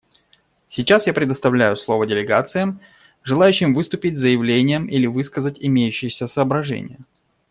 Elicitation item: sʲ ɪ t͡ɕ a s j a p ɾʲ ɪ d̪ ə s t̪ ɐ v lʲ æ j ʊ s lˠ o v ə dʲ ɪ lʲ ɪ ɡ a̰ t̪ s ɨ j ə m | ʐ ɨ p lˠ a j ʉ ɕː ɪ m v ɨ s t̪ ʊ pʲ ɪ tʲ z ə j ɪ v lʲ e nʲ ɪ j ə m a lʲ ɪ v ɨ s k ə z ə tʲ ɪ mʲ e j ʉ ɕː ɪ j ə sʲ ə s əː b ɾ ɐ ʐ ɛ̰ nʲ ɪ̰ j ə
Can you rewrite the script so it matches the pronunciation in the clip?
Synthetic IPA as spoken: sʲ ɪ t͡ɕ a s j a p ɾʲ ɪ d̪ ə s t̪ ɐ v lʲ æ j ʊ s lˠ o v ə dʲ ɪ lʲ ɪ ɡ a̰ t̪ s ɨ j ə m | ʐ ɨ lˠ a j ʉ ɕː ɪ m v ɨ s t̪ ʊ pʲ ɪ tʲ z ə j ɪ v lʲ e nʲ ɪ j ə m i lʲ ɪ v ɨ s k ə z ə tʲ ɪ mʲ e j ʉ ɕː ɪ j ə sʲ ə s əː b ɾ ɐ ʐ ɛ̰ nʲ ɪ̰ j ə